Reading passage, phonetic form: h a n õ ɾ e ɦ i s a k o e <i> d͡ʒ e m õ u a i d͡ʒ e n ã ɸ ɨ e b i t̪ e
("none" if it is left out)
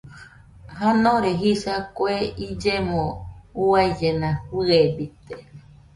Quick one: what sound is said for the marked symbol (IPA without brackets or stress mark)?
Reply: i